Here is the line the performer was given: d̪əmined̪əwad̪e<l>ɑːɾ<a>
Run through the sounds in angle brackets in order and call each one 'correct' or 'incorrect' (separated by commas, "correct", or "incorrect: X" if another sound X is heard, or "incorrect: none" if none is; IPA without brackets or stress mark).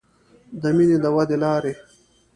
correct, incorrect: e